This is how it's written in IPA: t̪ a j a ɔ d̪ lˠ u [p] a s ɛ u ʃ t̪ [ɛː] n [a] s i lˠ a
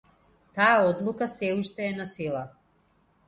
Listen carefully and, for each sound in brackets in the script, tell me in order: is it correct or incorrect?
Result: incorrect: k, correct, correct

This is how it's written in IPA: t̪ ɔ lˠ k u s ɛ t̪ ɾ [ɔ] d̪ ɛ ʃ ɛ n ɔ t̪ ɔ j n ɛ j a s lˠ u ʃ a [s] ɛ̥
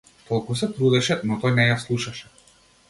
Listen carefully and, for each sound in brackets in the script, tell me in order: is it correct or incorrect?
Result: incorrect: u, incorrect: ʃ

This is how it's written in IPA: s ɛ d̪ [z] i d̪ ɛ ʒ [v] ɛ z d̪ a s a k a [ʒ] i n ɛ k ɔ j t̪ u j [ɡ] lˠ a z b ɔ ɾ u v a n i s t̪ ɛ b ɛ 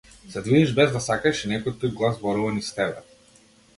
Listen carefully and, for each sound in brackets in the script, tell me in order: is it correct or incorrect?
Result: incorrect: v, incorrect: b, incorrect: ʃ, correct

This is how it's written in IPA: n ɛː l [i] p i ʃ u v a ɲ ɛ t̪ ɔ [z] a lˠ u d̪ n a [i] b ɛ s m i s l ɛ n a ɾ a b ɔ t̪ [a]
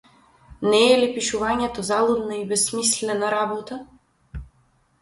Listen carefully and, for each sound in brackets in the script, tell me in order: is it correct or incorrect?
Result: correct, correct, correct, correct

